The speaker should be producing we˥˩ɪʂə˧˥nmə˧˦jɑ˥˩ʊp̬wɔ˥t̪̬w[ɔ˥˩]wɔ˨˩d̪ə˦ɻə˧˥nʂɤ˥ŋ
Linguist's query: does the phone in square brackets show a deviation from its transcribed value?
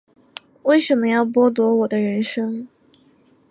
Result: yes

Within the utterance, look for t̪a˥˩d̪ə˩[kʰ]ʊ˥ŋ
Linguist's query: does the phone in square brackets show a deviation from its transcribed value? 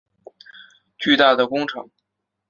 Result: yes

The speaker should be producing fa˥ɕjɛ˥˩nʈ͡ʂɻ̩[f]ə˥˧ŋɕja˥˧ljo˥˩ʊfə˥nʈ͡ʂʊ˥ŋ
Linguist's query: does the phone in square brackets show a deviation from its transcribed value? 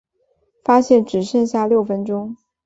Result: yes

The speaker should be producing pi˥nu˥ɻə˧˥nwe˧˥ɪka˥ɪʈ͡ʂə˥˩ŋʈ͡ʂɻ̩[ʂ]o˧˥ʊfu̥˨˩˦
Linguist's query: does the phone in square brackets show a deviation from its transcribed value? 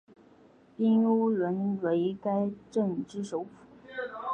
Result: no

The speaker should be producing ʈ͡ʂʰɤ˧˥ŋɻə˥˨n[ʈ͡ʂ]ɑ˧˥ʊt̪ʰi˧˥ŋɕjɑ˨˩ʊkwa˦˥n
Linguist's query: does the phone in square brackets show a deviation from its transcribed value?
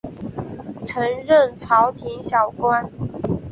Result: yes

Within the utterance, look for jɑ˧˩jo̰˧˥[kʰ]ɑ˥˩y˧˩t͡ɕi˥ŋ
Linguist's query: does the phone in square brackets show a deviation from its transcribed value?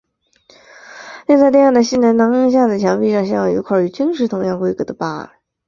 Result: no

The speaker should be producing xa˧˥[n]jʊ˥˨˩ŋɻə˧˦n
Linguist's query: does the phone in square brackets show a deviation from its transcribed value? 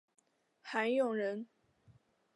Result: no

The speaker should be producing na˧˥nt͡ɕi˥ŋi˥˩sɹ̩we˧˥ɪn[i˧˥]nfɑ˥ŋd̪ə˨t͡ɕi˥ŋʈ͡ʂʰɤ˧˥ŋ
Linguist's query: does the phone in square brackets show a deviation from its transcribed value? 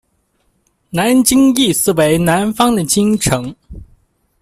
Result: yes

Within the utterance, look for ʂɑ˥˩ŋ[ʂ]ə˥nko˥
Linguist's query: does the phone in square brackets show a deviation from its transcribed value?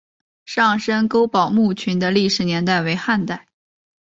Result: no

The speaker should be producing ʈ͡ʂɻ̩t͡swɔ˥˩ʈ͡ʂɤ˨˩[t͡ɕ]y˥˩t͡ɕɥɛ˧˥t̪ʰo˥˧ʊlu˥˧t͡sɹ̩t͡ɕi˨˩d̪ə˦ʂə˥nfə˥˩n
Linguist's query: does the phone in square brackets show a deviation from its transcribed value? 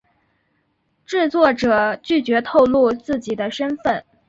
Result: no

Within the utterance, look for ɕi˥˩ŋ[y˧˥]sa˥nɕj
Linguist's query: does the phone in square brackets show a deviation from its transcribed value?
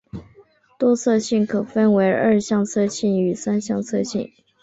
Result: yes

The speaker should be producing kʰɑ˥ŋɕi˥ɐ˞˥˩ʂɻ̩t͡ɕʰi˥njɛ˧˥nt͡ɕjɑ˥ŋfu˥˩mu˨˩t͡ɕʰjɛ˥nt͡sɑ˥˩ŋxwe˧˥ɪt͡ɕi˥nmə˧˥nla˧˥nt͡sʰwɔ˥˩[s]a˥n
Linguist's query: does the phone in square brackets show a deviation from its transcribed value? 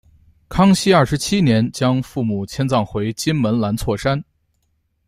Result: yes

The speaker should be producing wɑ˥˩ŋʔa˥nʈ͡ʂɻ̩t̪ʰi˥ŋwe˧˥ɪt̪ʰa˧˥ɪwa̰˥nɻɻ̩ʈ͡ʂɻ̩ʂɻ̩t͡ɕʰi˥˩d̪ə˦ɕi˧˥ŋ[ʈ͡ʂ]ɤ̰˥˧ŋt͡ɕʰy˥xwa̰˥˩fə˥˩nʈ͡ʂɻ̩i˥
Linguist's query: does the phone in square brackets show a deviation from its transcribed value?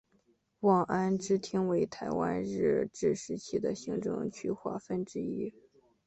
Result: no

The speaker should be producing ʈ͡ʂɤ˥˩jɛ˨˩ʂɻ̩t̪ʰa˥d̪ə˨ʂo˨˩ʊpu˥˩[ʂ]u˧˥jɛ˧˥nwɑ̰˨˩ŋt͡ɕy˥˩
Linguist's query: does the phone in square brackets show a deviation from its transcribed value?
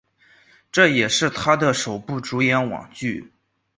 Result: yes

